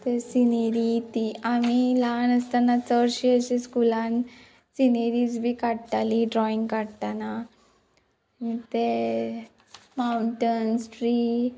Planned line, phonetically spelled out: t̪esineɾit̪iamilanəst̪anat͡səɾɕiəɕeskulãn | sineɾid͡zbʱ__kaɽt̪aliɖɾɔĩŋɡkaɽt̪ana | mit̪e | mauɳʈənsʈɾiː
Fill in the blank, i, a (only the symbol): i